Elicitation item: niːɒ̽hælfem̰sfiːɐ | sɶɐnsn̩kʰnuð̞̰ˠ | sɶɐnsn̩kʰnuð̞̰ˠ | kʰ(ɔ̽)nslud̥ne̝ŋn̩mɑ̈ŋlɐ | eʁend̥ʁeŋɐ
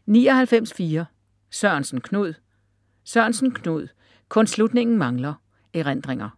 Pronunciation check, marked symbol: correct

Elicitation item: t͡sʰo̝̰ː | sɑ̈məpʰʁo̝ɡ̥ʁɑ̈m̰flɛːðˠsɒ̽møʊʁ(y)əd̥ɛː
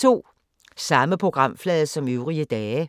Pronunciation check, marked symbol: incorrect: i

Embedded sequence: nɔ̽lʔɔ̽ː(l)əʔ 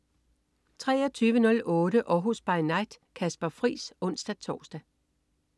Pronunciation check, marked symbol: incorrect: ɾ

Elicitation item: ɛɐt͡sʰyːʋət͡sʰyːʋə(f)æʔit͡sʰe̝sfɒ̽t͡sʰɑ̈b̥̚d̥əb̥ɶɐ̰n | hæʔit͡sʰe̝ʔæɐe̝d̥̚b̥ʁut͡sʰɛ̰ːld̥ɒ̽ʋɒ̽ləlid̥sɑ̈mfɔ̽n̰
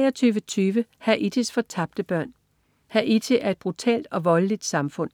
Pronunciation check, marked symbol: incorrect: h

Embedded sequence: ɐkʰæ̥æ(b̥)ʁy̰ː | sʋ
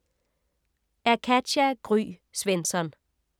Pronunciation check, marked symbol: incorrect: ɡ̥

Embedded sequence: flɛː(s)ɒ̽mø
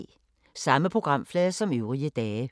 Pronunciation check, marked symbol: correct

